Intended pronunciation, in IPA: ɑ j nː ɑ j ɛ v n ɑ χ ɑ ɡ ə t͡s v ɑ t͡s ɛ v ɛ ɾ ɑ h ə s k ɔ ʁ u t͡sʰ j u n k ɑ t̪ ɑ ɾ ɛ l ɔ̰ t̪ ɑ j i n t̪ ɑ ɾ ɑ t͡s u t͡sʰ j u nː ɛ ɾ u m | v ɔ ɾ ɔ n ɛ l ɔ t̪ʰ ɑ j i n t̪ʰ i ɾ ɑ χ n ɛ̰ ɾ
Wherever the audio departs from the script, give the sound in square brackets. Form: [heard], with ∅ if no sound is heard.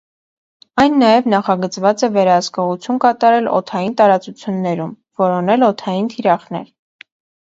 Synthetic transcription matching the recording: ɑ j nː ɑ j ɛ v n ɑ χ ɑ ɡ ə t͡s v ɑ t͡s ɛ v ɛ ɾ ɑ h ə s k ɔ ʁ u t͡sʰ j u n k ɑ t̪ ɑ ɾ ɛ l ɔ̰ [t̪ʰ] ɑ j i n t̪ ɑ ɾ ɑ t͡s u t͡sʰ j u nː ɛ ɾ u m | v ɔ ɾ ɔ n ɛ l ɔ t̪ʰ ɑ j i n t̪ʰ i ɾ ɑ χ n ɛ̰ ɾ